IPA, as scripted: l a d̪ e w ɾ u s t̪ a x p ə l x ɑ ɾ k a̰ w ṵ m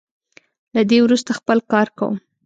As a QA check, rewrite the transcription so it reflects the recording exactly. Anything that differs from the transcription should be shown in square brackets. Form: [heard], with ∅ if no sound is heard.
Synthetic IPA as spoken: l a d̪ e w ɾ u s t̪ a x p ə l [k] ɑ ɾ k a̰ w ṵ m